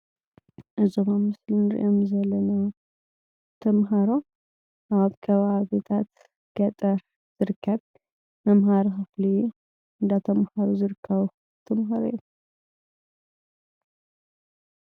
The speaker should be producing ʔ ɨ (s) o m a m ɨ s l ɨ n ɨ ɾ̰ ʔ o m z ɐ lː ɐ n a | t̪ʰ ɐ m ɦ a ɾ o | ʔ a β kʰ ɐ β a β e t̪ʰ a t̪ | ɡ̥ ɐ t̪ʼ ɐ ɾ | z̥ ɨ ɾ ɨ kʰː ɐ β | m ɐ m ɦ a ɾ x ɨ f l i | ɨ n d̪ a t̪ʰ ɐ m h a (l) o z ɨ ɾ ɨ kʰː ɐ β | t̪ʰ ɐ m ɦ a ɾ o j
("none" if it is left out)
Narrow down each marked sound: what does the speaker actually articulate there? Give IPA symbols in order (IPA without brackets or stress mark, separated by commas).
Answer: z, ɾ